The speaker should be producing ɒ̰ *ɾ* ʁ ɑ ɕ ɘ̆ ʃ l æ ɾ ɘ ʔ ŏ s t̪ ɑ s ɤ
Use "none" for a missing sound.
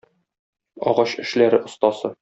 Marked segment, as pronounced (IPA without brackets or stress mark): none